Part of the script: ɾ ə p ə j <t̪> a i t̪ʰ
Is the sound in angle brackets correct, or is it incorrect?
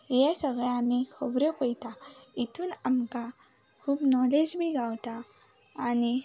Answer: correct